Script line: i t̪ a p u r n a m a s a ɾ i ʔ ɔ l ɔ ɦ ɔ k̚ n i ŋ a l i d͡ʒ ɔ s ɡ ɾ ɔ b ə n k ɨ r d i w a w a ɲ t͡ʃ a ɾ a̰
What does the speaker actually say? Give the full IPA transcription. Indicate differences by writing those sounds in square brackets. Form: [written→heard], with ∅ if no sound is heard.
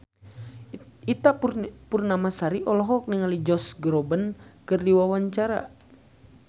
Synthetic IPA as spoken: i t̪ a p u r n a m a s a ɾ i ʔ ɔ l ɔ ɦ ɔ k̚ n i ŋ a l i d͡ʒ ɔ s ɡ ɾ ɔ b ə n k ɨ r d i w a w a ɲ t͡ʃ a ɾ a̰